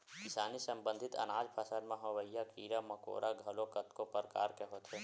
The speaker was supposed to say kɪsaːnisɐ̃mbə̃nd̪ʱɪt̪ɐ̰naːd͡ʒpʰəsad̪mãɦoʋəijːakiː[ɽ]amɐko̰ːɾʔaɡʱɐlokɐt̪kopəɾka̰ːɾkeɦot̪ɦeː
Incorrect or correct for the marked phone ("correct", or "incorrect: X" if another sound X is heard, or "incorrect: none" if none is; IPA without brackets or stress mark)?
incorrect: ɾ